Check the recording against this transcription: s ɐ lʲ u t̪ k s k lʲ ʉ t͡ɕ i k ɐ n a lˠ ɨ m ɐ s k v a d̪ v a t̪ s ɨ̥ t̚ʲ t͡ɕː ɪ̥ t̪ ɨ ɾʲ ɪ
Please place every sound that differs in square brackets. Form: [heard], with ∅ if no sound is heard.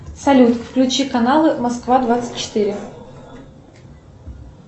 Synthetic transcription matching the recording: s ɐ lʲ u t̪ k [f] k lʲ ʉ t͡ɕ i k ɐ n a lˠ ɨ m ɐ s k v a d̪ v a t̪ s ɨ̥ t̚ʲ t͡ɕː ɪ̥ t̪ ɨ ɾʲ ɪ